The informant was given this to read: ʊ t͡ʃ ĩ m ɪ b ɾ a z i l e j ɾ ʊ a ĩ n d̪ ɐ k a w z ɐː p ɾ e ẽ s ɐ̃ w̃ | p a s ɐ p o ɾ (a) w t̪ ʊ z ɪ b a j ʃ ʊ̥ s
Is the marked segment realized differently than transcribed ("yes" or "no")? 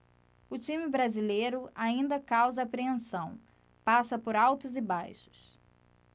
no